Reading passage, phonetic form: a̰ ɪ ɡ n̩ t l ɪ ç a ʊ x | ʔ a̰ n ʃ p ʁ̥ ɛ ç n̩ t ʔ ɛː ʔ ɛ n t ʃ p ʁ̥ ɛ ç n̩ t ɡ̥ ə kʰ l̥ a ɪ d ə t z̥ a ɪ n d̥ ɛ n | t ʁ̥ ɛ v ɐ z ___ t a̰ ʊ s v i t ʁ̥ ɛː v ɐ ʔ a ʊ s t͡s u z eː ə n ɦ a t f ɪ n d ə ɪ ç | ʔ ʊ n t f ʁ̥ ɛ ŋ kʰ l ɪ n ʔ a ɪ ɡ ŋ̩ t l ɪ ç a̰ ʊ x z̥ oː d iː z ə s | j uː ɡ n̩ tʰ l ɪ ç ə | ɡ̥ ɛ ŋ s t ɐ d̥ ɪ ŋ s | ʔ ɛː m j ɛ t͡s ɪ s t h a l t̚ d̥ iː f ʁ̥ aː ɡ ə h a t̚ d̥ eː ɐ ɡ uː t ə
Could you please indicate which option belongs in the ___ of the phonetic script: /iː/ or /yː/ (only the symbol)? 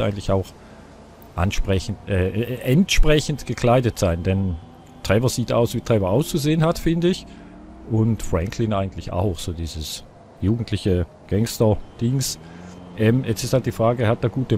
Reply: iː